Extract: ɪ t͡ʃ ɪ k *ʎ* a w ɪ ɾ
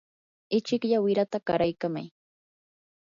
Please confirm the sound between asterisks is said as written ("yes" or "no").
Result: yes